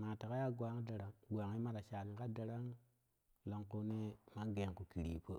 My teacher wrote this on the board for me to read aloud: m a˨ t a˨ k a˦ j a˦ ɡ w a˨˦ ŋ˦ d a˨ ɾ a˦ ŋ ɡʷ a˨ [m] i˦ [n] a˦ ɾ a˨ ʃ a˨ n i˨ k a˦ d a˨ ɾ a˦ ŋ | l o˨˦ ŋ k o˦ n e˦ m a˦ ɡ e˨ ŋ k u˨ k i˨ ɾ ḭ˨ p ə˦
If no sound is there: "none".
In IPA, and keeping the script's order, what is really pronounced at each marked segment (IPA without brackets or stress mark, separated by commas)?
ŋ, m